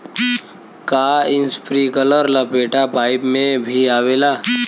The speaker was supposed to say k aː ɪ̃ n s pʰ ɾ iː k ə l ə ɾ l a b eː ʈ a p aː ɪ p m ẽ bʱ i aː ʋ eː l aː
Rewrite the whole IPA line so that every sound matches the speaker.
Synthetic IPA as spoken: k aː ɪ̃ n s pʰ ɾ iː k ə l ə ɾ l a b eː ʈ a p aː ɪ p m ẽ bʱ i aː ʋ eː l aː